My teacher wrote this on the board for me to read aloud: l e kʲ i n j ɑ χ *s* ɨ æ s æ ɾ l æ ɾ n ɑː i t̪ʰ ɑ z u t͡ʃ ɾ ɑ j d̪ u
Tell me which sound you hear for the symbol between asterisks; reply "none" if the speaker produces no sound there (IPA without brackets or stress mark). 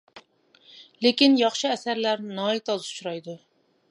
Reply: ʃ